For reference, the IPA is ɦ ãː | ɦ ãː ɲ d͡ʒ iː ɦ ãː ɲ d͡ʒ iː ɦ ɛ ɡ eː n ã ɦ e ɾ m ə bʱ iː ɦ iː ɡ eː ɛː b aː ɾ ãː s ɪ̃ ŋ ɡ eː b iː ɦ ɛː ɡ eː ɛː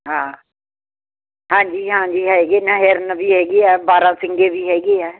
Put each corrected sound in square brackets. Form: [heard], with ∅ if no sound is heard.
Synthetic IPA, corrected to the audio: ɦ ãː | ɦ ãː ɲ d͡ʒ iː ɦ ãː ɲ d͡ʒ iː ɦ ɛ ɡ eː n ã ɦ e ɾ [n] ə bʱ iː ɦ [ɛː] ɡ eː ɛː b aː ɾ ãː s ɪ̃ ŋ ɡ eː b iː ɦ ɛː ɡ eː ɛː